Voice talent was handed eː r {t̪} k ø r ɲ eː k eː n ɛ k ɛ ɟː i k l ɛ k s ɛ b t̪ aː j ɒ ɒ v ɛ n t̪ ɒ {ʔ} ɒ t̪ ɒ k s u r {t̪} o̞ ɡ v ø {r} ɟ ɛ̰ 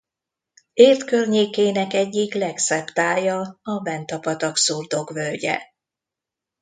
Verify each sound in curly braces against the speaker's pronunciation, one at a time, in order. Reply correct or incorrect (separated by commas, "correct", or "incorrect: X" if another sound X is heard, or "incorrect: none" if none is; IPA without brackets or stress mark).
correct, incorrect: p, incorrect: d̪, incorrect: l